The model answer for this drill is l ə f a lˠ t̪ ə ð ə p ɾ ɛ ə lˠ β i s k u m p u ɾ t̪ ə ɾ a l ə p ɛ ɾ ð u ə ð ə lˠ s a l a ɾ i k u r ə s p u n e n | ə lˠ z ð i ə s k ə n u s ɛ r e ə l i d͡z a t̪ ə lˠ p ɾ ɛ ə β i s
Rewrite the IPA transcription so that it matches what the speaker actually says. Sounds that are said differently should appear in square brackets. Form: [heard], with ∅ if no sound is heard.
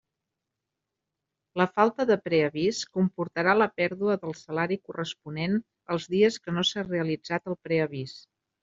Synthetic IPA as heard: l ə f a lˠ t̪ ə ð ə p ɾ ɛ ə [∅] β i s k u m p u ɾ t̪ ə ɾ a l ə p ɛ ɾ ð u ə ð ə lˠ s [ə] l a ɾ i k u r ə s p u n e n | ə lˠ z ð i ə s k ə n [o] s [a] r e ə l i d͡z a t̪ ə lˠ p ɾ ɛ ə β i s